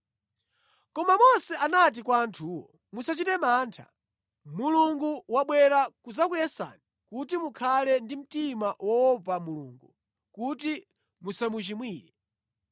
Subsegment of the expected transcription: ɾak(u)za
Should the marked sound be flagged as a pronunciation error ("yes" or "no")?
no